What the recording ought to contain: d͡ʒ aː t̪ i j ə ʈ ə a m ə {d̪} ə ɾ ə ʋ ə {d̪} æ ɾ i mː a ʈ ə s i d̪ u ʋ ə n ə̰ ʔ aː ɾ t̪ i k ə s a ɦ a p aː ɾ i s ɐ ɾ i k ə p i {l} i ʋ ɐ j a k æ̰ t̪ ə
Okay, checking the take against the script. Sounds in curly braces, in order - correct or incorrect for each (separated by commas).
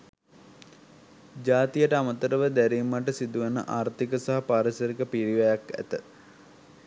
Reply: incorrect, correct, incorrect